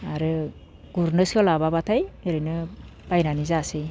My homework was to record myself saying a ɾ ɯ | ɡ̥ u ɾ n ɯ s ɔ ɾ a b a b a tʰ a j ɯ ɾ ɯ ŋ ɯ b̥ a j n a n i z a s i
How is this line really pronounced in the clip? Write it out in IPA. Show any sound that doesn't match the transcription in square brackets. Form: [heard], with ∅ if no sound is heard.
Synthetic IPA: a ɾ ɯ | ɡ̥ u ɾ n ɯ s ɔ [l] a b a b a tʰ a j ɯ ɾ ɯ [n] ɯ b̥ a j n a n i z a s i